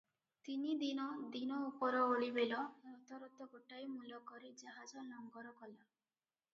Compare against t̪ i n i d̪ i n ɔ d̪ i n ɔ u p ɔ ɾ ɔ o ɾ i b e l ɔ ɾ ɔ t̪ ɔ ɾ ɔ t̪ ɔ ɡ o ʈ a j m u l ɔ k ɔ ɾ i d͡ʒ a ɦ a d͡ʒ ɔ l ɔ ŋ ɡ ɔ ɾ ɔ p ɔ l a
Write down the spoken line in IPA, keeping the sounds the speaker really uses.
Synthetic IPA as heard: t̪ i n i d̪ i n ɔ d̪ i n ɔ u p ɔ ɾ ɔ o ɭ i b e l ɔ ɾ ɔ t̪ ɔ ɾ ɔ t̪ ɔ ɡ o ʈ a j m u l ɔ k ɔ ɾ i d͡ʒ a ɦ a d͡ʒ ɔ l ɔ ŋ ɡ ɔ ɾ ɔ k ɔ l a